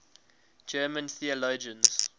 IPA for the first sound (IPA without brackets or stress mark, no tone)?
d͡ʒ